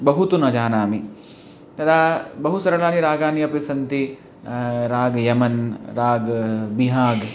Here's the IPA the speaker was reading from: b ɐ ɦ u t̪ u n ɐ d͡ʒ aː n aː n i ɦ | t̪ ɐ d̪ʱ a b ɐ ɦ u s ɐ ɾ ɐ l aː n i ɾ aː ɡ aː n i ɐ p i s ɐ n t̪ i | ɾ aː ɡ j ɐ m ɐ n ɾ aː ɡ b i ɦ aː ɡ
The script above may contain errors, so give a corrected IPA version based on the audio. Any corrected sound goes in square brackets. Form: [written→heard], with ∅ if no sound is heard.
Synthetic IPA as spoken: b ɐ ɦ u t̪ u n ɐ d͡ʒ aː n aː [n→m] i [ɦ→∅] | t̪ ɐ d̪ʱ a b ɐ ɦ u s ɐ ɾ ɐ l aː n i ɾ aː ɡ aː n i ɐ p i s ɐ n t̪ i | ɾ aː ɡ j ɐ m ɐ n ɾ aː ɡ b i ɦ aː ɡ